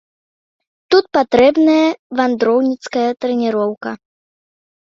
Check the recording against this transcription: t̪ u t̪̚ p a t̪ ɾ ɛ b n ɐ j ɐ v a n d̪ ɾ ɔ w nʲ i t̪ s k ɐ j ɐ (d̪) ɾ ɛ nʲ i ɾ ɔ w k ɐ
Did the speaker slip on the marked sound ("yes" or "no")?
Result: yes